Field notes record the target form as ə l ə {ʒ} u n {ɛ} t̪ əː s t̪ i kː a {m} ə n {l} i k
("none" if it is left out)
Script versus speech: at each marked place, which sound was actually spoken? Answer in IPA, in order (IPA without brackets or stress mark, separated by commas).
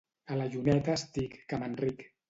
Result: ʒ, ɛ, m, r